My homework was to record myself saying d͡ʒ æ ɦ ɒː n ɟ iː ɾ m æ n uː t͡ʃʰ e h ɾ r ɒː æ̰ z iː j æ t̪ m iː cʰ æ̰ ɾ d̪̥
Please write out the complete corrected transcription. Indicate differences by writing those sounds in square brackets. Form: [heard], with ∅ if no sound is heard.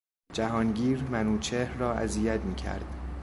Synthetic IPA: d͡ʒ æ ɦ ɒː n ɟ iː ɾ m æ n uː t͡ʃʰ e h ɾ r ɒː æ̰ z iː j æ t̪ m iː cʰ æ̰ ɾ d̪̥